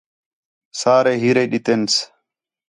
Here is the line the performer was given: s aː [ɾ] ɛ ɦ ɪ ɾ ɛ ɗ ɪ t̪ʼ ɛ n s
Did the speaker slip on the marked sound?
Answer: no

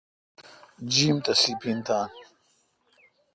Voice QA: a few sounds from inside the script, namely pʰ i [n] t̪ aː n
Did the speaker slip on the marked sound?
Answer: no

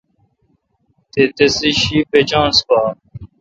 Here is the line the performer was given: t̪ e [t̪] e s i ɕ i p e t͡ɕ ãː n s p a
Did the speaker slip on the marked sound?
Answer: no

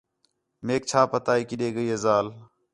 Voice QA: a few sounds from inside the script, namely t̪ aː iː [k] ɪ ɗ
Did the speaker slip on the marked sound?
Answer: no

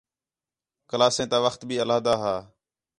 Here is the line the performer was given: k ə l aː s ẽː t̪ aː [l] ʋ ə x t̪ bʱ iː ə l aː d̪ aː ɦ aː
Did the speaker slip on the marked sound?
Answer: yes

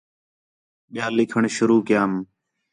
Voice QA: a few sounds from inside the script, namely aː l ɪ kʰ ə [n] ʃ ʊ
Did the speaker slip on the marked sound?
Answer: yes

